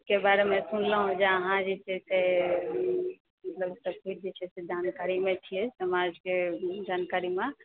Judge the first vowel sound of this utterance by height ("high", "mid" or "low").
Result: mid